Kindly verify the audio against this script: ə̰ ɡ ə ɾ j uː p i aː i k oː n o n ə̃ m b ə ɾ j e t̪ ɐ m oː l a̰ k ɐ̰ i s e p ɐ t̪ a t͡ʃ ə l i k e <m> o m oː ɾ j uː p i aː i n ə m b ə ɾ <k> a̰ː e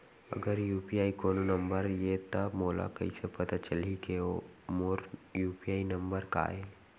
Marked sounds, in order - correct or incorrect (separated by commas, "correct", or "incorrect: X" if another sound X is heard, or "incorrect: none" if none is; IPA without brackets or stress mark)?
incorrect: none, correct